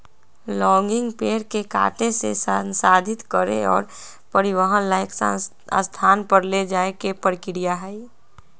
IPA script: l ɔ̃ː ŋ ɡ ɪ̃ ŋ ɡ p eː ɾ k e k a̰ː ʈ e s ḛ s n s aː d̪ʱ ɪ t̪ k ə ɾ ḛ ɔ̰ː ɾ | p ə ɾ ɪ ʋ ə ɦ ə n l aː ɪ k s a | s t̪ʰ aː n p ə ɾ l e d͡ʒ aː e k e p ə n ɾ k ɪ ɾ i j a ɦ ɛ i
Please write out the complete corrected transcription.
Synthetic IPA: l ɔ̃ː ŋ ɡ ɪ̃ ŋ ɡ p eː ɾ k e k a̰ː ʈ e s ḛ s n s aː d̪ʱ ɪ t̪ k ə ɾ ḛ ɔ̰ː ɾ | p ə ɾ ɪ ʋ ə ɦ ə n l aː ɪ k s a | s t̪ʰ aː n p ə ɾ l e d͡ʒ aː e k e p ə ɾ k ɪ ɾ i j a ɦ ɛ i